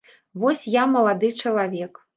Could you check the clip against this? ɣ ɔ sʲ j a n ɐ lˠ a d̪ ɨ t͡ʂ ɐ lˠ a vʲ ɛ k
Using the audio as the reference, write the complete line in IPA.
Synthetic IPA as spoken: v ɔ sʲ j a m ɐ lˠ a d̪ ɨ t͡ʂ ɐ lˠ a vʲ ɛ k